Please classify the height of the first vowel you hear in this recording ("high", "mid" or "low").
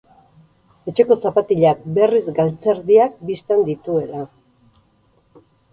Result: mid